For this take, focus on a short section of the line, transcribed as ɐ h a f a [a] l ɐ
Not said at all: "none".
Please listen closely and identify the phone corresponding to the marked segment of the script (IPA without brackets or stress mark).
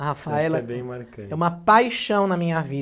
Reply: ɛ